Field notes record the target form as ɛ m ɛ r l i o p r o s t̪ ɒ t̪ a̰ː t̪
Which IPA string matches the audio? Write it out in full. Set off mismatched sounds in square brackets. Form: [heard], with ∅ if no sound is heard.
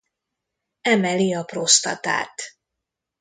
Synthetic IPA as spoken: ɛ m ɛ [∅] l i [ɒ] p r o s t̪ ɒ t̪ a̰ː t̪